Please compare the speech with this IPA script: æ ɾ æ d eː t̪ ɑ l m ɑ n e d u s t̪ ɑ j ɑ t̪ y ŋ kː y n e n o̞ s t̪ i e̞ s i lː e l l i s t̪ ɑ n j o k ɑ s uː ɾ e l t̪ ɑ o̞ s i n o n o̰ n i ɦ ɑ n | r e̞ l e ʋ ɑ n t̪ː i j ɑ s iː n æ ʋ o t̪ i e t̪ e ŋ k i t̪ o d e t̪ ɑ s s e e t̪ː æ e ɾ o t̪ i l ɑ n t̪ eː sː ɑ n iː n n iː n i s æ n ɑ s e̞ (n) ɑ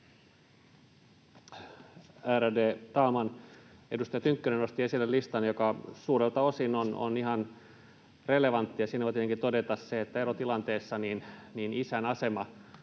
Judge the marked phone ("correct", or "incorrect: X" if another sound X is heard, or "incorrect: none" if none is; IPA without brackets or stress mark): incorrect: m